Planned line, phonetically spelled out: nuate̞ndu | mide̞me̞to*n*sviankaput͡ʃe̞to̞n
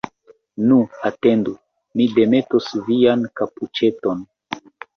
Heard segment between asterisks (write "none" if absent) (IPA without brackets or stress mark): none